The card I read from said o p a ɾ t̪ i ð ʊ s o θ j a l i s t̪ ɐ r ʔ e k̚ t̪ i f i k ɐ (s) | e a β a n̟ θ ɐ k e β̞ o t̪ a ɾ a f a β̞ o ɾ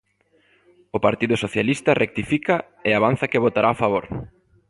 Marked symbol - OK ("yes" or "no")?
no